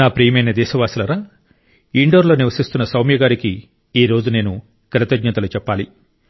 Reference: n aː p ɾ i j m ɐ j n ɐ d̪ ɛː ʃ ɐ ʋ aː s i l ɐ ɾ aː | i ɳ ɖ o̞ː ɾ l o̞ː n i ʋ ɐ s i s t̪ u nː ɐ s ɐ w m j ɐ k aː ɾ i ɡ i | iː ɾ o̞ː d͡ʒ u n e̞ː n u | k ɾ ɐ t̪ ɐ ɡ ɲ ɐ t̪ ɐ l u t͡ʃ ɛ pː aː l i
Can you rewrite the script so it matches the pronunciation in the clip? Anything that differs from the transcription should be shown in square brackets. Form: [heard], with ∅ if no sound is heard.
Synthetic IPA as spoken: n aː p ɾ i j m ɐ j n ɐ d̪ ɛː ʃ ɐ ʋ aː s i l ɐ ɾ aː | i ɳ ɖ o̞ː ɾ l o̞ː n i ʋ ɐ s i s t̪ u nː ɐ s ɐ w m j ɐ [ɡ] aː ɾ i [k] i | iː ɾ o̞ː d͡ʒ u n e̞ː n u | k ɾ ɐ t̪ ɐ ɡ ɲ ɐ t̪ ɐ l u t͡ʃ ɛ pː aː l i